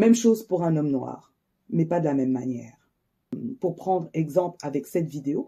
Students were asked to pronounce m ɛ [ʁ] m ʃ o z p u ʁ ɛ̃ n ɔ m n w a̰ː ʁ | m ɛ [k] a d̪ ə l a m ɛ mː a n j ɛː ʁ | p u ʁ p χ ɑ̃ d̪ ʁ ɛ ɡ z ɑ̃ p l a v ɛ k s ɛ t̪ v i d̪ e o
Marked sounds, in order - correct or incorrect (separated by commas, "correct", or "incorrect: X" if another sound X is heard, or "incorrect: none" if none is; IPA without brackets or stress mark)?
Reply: incorrect: none, incorrect: p